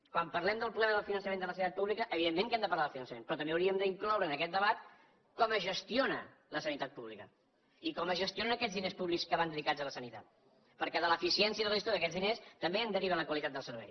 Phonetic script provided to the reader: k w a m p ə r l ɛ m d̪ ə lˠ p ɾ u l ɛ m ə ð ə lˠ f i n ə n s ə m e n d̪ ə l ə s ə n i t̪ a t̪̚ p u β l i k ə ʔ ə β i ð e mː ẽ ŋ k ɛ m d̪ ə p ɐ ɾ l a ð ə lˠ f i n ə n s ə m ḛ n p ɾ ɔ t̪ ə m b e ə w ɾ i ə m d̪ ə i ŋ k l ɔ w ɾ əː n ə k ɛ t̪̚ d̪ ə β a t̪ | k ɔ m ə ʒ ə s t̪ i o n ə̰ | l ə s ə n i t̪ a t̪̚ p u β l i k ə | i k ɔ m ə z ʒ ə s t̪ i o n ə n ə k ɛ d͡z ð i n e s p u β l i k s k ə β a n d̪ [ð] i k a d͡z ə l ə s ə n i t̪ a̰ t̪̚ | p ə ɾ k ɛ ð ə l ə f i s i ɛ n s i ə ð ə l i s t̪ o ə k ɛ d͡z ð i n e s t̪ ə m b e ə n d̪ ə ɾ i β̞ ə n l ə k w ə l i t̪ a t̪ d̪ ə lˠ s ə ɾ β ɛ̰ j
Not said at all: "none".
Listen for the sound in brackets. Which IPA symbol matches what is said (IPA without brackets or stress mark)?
ð